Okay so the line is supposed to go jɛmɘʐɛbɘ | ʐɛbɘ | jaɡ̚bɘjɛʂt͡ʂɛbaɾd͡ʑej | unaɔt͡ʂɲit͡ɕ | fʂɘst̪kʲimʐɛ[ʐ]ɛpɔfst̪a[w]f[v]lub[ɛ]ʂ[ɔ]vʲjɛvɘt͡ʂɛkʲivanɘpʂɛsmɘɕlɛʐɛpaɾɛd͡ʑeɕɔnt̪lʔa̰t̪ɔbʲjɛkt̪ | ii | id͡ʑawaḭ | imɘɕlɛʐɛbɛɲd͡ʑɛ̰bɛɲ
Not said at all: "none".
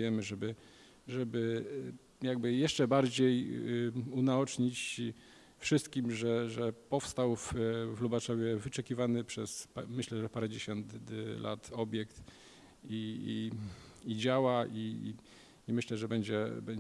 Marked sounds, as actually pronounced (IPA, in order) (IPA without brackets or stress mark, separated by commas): ʐ, w, v, a, ɔ